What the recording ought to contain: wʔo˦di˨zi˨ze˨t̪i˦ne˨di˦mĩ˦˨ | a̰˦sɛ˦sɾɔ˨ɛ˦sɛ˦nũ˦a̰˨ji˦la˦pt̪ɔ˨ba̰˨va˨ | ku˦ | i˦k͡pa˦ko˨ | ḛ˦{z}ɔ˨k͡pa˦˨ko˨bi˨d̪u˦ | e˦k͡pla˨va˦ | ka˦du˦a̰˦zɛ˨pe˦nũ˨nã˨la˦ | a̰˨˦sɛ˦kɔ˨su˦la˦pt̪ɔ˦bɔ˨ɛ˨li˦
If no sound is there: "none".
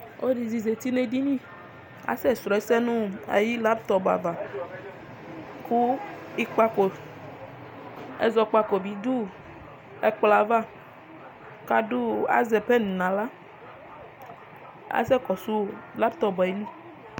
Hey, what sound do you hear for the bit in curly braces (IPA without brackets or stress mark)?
z